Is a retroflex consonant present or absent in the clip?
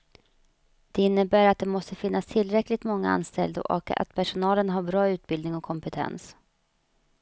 present